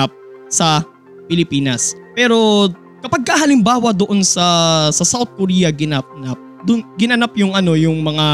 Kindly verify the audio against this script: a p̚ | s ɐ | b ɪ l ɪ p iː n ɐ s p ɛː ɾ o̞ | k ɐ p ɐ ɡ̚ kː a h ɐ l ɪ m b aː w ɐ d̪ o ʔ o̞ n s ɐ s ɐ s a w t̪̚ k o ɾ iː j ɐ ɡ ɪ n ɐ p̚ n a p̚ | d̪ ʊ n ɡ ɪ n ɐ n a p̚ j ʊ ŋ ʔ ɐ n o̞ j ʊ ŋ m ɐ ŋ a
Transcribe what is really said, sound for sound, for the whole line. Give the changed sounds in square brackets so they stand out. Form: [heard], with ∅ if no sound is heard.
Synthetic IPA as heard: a p̚ | s ɐ | [p] ɪ l ɪ p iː n ɐ s p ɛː ɾ o̞ | k ɐ p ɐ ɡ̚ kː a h ɐ l ɪ m b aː w ɐ d̪ o ʔ o̞ n s ɐ s ɐ s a w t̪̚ k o ɾ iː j ɐ ɡ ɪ n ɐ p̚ n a p̚ | d̪ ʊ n ɡ ɪ n ɐ n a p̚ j ʊ ŋ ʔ ɐ n o̞ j ʊ ŋ m ɐ ŋ a